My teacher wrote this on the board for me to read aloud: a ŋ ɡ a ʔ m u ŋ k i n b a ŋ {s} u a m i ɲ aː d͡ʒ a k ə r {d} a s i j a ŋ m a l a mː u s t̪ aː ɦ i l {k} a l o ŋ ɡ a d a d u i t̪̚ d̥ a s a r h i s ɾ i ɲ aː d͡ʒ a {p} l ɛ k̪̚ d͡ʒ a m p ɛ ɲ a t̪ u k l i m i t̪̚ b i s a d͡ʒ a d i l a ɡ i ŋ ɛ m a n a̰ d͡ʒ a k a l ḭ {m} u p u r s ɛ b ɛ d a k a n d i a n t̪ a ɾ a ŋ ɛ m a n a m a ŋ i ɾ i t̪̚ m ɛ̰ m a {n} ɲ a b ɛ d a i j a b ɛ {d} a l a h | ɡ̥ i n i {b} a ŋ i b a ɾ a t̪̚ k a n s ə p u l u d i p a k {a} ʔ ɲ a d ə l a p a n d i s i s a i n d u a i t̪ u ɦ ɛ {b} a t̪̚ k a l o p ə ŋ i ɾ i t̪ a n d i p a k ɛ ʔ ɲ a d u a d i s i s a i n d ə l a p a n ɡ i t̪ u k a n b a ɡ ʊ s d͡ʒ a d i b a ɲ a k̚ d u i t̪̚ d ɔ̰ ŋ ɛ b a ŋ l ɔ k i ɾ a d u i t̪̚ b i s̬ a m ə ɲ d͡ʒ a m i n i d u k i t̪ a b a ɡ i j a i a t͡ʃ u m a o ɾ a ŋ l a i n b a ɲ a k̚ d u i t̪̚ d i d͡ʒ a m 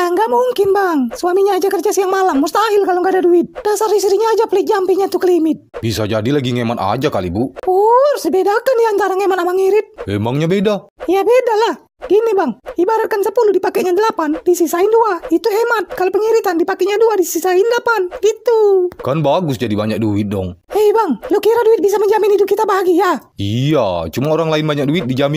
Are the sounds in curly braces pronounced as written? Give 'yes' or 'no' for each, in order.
yes, no, yes, yes, no, no, yes, yes, no, no

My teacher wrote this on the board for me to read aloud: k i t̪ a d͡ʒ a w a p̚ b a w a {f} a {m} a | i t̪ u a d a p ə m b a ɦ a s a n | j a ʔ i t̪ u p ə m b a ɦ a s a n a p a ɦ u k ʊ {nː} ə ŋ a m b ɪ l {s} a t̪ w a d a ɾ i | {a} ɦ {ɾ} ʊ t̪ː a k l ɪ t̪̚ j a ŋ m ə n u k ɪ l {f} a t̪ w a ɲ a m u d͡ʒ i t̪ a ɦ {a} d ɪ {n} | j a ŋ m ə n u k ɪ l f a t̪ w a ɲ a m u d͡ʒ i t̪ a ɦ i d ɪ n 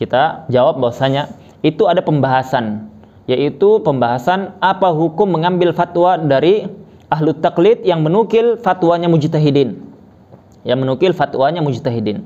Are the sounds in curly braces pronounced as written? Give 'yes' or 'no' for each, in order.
no, no, no, no, yes, no, yes, no, yes

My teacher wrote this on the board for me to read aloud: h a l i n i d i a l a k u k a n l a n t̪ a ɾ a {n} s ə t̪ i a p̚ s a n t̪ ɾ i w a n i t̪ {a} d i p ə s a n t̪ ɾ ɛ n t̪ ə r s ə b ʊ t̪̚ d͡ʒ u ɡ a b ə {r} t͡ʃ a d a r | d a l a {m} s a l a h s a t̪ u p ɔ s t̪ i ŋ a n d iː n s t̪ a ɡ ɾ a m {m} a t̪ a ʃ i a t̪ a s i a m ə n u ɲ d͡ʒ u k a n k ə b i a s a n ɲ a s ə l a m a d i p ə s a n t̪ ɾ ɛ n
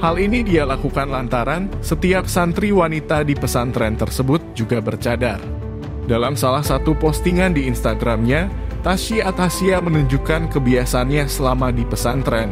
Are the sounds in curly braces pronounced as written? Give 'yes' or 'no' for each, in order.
yes, yes, yes, yes, no

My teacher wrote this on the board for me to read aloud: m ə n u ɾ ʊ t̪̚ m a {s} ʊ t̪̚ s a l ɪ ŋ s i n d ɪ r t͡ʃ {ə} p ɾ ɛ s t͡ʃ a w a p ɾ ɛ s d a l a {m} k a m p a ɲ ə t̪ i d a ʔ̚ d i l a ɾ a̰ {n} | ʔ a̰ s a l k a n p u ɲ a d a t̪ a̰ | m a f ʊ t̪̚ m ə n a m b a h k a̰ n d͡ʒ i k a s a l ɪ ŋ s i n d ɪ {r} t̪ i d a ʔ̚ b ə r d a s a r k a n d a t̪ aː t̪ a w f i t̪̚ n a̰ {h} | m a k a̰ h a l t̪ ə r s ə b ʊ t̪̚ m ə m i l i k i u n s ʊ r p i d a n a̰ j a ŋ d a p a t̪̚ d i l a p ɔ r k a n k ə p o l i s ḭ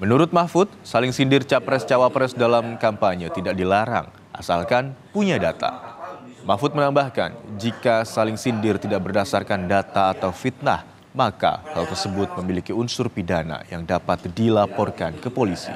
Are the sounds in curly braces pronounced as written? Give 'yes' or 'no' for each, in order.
no, no, yes, no, yes, yes

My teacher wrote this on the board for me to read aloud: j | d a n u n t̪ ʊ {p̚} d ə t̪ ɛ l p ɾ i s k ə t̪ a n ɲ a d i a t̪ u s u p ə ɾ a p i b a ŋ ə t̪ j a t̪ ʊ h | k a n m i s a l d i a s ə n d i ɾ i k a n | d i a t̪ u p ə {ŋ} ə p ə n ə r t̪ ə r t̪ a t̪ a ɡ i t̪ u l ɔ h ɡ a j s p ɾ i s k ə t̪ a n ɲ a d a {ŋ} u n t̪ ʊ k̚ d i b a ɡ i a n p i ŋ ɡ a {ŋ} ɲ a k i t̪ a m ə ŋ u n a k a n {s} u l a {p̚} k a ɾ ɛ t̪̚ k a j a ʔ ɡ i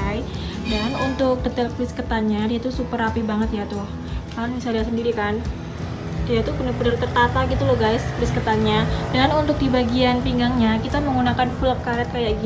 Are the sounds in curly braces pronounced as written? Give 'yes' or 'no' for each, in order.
no, no, no, yes, no, yes

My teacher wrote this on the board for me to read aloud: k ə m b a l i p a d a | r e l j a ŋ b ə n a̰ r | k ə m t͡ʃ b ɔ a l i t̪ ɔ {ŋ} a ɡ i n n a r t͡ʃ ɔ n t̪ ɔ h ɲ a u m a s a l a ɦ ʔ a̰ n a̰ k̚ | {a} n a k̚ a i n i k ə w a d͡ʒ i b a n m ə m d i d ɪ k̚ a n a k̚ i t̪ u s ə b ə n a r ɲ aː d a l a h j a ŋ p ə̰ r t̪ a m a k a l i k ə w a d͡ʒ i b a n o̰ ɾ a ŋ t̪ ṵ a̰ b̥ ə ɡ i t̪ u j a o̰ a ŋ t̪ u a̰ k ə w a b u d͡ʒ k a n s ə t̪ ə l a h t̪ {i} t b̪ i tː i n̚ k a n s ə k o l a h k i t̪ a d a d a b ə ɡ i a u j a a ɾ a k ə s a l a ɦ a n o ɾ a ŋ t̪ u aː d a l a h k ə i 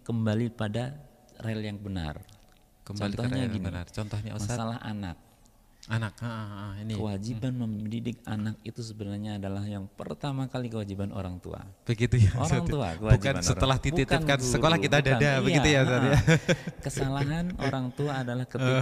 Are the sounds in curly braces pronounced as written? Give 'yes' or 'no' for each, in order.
no, yes, yes

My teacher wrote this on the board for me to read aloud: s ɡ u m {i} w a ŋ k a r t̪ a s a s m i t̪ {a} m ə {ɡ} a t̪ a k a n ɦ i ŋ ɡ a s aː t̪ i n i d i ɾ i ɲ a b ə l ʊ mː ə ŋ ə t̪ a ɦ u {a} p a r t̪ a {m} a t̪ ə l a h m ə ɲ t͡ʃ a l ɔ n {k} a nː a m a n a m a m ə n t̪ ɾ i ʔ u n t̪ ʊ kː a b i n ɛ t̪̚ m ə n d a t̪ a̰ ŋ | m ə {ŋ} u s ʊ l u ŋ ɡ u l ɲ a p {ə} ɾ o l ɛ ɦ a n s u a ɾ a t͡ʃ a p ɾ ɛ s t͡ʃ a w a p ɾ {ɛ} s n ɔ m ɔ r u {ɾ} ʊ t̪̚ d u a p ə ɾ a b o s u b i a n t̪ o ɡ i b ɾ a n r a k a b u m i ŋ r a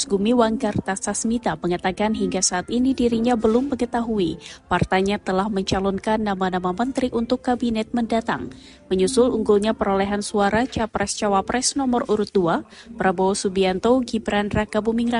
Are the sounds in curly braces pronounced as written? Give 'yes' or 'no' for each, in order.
yes, yes, no, no, no, yes, no, yes, yes, yes

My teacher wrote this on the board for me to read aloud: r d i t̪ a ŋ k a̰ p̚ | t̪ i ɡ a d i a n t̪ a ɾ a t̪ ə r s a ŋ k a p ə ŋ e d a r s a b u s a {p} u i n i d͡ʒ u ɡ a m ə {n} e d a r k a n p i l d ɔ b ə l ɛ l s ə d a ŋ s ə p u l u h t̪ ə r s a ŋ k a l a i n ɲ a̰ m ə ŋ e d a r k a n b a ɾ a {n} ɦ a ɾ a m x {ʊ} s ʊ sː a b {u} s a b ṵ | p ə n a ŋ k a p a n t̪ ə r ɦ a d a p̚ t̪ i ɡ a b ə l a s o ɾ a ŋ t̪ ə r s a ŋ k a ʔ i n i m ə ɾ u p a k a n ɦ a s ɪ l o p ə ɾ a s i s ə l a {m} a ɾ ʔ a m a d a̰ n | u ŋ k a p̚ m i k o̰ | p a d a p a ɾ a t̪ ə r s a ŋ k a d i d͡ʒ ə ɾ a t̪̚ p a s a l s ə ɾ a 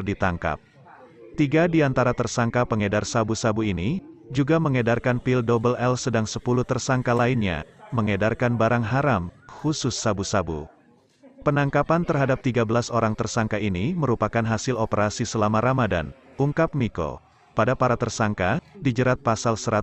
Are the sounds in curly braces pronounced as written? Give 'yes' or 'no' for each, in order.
no, no, no, no, yes, yes

